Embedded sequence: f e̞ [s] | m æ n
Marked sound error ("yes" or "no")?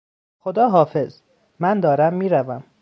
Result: yes